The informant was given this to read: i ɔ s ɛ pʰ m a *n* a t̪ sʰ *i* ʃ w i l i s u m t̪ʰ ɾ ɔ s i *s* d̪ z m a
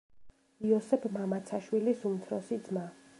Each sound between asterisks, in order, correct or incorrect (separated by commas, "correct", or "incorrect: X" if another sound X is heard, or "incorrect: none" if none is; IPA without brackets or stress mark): incorrect: m, incorrect: a, incorrect: none